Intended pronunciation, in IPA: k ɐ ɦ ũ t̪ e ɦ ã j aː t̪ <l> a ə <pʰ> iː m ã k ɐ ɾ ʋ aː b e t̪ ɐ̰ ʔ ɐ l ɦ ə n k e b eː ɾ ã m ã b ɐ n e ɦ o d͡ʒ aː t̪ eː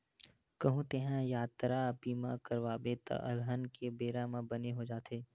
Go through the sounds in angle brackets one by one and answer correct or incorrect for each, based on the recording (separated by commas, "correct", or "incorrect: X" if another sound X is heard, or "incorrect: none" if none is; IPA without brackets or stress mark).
incorrect: ɾ, incorrect: p